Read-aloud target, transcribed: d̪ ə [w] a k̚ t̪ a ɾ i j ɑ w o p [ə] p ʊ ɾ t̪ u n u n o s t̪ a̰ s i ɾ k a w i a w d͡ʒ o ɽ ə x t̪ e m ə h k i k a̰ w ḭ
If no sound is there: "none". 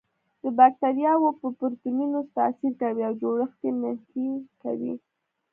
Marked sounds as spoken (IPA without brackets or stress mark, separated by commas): b, ə